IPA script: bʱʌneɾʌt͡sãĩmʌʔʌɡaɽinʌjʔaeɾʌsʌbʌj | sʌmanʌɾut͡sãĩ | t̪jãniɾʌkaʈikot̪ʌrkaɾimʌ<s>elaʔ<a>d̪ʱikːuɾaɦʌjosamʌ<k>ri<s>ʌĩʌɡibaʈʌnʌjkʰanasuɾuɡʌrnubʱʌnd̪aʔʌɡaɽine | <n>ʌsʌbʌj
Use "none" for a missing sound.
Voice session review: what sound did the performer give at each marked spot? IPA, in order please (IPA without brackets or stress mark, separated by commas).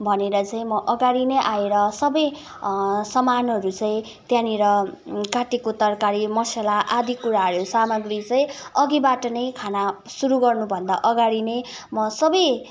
s, a, ɡ, t͡s, m